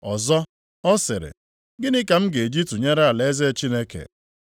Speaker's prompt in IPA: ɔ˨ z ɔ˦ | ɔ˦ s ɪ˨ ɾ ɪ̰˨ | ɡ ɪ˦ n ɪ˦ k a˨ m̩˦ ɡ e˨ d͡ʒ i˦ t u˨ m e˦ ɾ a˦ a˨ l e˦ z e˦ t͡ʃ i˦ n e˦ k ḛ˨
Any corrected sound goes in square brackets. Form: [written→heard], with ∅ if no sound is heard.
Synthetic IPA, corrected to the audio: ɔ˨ z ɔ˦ | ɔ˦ s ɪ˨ ɾ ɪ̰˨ | ɡ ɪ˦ n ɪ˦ k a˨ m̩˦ ɡ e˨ d͡ʒ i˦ t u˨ [m→ɲ] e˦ ɾ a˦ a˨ l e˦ z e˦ t͡ʃ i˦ n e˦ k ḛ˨